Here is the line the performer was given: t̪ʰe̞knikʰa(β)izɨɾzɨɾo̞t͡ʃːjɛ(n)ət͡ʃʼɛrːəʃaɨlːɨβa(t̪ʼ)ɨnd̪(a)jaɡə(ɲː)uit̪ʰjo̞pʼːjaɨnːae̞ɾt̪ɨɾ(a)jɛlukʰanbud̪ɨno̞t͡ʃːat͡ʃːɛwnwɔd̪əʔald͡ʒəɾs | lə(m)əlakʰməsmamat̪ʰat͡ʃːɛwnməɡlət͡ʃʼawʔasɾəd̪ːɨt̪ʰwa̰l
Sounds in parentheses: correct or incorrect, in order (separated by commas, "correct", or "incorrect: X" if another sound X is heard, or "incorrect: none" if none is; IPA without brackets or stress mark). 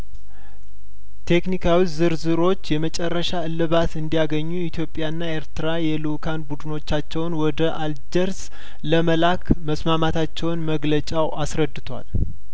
incorrect: w, incorrect: m, incorrect: t̪, incorrect: i, correct, correct, correct